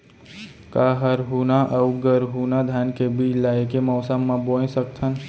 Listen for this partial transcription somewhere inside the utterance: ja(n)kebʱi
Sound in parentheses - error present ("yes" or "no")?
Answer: no